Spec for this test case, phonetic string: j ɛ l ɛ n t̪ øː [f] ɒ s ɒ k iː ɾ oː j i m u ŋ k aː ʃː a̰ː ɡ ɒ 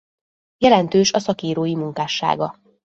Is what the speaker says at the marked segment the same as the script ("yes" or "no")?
no